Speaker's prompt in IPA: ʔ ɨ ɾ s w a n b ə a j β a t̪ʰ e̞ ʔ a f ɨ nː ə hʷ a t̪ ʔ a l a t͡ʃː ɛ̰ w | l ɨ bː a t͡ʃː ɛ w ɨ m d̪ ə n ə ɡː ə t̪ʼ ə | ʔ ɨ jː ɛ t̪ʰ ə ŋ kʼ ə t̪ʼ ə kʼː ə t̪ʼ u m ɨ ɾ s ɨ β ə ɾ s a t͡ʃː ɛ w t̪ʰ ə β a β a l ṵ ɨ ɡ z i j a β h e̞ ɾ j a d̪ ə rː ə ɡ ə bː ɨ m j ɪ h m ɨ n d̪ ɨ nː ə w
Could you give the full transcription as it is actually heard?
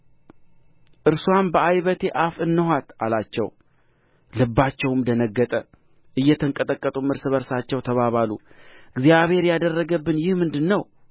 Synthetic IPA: ʔ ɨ ɾ s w a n b ə a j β ə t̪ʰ e̞ ʔ a f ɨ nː ə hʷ a t̪ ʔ a l a t͡ʃː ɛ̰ w | l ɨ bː a t͡ʃː ɛ w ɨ m d̪ ə n ə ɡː ə t̪ʼ ə | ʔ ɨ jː ɛ t̪ʰ ə ŋ kʼ ə t̪ʼ ə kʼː ə t̪ʼ u m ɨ ɾ s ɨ β ə ɾ s a t͡ʃː ɛ w t̪ʰ ə β a β a l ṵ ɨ ɡ z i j a β h e̞ ɾ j a d̪ ə rː ə ɡ ə bː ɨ n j ɪ h m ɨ n d̪ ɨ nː ə w